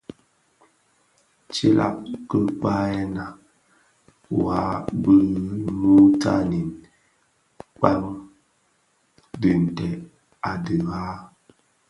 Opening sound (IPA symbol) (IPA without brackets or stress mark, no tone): t͡ʃ